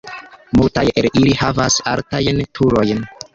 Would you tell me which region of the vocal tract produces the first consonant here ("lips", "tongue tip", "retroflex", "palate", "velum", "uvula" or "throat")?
lips